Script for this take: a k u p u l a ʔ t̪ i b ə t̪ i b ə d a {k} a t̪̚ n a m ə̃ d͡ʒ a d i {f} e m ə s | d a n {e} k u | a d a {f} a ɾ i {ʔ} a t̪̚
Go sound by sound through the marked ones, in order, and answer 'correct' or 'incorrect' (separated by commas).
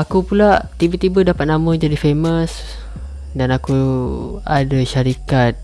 incorrect, correct, incorrect, incorrect, incorrect